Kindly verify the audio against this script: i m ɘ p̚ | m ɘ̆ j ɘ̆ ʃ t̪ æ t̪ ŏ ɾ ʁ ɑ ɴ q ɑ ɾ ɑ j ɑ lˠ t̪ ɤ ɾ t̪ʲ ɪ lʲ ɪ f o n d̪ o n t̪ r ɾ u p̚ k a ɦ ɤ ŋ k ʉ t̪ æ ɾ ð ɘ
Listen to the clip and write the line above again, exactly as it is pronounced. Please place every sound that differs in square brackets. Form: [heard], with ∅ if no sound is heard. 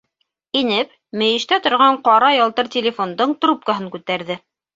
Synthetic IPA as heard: i [n] ɘ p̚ | m ɘ̆ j ɘ̆ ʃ t̪ æ t̪ ŏ ɾ ʁ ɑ ɴ q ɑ ɾ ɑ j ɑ lˠ t̪ ɤ ɾ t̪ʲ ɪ lʲ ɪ f o n d̪ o [ɴ] t̪ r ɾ u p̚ k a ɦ ɤ ŋ k ʉ t̪ æ ɾ ð ɘ

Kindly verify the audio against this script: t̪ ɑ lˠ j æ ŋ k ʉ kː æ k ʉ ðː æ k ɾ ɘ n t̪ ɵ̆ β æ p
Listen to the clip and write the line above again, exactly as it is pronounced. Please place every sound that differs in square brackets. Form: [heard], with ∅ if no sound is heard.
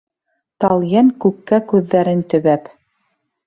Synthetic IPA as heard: t̪ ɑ lˠ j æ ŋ k ʉ kː æ k ʉ ðː æ [∅] ɾ ɘ n t̪ ɵ̆ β æ p

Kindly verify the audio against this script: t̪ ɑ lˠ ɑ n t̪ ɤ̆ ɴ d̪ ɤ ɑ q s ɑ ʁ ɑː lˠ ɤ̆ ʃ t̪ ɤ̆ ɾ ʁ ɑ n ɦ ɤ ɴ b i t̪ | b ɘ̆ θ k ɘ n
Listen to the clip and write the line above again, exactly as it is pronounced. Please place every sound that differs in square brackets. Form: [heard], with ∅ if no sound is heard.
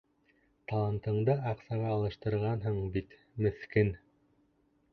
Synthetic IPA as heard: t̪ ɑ lˠ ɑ n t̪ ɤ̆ ɴ d̪ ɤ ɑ q s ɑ ʁ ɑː lˠ ɤ̆ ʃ t̪ ɤ̆ ɾ ʁ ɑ n ɦ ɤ ɴ b i t̪ | [m] ɘ̆ θ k ɘ n

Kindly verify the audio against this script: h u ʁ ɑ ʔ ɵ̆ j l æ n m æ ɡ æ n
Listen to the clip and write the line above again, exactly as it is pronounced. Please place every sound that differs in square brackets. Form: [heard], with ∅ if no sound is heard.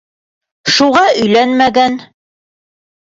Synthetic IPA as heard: [ʃ] u ʁ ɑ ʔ ɵ̆ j l æ n m æ ɡ æ n

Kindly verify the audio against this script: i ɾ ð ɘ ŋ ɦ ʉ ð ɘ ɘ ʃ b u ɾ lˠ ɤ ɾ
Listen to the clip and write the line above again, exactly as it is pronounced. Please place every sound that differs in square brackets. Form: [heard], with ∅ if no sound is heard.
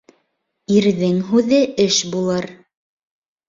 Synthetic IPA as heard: i ɾ ð ɘ ŋ ɦ ʉ ð ɘ ɘ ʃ b u [∅] lˠ ɤ ɾ

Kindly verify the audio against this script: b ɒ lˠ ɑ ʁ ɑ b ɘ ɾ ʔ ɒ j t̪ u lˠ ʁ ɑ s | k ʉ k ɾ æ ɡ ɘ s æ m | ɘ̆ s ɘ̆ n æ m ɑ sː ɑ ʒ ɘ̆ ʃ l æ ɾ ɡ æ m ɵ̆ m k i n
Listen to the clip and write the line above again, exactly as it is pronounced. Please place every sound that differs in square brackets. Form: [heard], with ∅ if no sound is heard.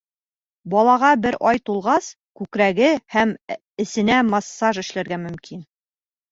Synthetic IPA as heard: b ɒ lˠ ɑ ʁ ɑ b ɘ ɾ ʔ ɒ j t̪ u lˠ ʁ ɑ s | k ʉ k ɾ æ ɡ ɘ [h] æ m | ɘ̆ s ɘ̆ n æ m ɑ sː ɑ ʒ ɘ̆ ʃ l æ ɾ ɡ æ m ɵ̆ m k i n

